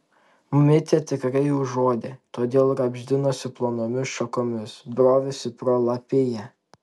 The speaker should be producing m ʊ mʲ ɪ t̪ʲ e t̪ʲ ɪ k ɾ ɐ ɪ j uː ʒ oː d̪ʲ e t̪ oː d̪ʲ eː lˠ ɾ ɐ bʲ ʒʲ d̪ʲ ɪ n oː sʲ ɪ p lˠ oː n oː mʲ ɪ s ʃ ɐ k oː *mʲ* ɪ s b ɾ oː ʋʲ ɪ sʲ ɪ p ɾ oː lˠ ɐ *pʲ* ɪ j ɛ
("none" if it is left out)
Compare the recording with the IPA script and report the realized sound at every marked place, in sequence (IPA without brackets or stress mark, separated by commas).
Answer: mʲ, pʲ